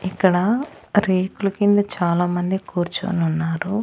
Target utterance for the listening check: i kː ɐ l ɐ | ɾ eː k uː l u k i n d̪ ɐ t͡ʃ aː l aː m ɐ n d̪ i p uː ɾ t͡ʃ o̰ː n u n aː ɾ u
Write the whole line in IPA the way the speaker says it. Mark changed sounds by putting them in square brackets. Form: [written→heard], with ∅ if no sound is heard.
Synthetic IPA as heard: i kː ɐ [l→ɽ] ɐ | ɾ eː k [uː→u] l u k i n d̪ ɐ t͡ʃ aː l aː m ɐ n d̪ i [p→k] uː ɾ t͡ʃ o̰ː n u [n→nː] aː ɾ u